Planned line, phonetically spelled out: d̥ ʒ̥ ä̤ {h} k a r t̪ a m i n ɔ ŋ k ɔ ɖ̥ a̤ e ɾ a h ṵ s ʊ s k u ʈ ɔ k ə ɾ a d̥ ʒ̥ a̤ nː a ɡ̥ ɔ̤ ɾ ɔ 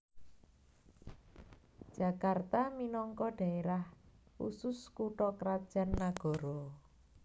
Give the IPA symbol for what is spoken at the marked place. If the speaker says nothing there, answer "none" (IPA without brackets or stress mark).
none